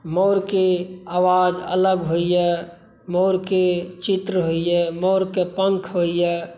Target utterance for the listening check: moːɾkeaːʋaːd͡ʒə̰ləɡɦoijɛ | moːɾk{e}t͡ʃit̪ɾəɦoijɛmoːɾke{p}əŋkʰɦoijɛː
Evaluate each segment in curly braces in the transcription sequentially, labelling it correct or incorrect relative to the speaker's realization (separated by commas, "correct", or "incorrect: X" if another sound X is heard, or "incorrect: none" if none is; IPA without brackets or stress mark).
correct, correct